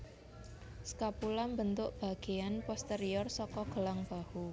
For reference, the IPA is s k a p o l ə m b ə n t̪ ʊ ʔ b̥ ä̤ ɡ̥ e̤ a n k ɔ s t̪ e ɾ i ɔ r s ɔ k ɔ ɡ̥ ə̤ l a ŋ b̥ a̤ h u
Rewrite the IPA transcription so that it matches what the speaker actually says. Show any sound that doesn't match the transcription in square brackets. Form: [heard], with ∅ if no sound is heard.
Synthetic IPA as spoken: s k a p [u] l [a] m b ə n t̪ ʊ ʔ b̥ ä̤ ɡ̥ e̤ a n [p] ɔ s t̪ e ɾ i ɔ r s ɔ k ɔ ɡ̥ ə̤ l a ŋ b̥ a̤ h u